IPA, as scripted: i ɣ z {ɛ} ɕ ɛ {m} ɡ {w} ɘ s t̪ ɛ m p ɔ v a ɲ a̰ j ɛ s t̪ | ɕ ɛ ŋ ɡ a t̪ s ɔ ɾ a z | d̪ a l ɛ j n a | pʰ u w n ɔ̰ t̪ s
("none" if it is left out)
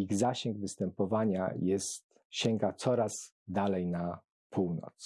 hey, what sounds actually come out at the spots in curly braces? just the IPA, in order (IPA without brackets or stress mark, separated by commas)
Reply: a, ŋ, v